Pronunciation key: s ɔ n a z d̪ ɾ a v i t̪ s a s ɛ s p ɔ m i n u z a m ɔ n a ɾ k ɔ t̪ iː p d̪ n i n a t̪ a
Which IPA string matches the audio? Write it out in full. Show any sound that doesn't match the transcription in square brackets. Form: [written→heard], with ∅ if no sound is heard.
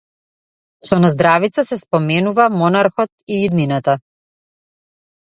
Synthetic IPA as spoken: s ɔ n a z d̪ ɾ a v i t̪ s a s ɛ s p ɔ m [i→ɛ] n u [z→v] a m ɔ n a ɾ [k→x] ɔ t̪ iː [p→∅] d̪ n i n a t̪ a